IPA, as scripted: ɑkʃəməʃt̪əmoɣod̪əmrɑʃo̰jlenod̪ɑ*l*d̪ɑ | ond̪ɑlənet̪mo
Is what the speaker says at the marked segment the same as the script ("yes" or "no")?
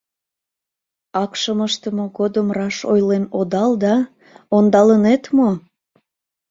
yes